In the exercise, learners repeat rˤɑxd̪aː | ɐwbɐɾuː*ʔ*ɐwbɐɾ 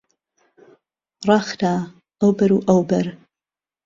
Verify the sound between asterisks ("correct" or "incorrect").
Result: correct